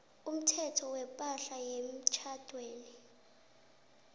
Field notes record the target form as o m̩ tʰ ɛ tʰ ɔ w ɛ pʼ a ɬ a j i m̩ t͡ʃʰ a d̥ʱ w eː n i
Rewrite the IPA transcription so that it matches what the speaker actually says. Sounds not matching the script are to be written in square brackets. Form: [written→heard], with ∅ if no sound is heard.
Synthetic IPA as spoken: [o→u] m̩ tʰ ɛ tʰ ɔ w ɛ pʼ a ɬ a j [i→e] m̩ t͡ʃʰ a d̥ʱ w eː n i